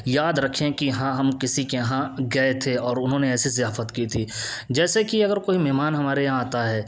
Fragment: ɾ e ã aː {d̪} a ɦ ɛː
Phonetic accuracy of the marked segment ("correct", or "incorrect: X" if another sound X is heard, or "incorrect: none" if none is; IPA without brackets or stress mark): incorrect: t̪